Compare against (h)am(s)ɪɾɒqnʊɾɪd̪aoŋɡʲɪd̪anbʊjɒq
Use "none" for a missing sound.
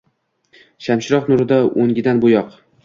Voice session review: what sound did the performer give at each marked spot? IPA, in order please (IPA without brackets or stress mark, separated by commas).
ʃ, ʃ